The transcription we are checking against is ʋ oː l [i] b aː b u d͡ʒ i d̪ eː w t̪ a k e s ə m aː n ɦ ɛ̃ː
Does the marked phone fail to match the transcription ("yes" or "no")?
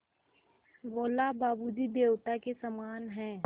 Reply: yes